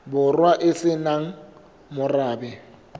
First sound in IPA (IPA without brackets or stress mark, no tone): b